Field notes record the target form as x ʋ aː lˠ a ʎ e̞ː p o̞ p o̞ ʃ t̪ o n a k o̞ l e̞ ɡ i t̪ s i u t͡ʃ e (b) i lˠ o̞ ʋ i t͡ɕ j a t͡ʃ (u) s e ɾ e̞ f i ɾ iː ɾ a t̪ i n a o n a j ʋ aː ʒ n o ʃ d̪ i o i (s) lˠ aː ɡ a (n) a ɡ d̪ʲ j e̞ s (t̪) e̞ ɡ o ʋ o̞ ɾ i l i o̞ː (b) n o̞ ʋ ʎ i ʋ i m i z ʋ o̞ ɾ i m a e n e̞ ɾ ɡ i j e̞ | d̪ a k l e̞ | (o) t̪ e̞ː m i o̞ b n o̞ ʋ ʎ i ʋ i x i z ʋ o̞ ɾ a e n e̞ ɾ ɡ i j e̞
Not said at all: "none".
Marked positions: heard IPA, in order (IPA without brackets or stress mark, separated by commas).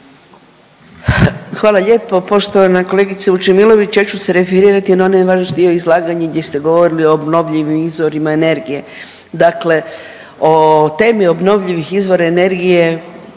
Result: m, u, z, ɲ, t̪, b, o